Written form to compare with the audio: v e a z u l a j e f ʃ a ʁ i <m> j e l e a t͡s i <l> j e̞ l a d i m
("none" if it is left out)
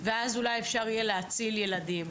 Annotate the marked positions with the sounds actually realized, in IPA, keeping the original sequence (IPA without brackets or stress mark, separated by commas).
none, l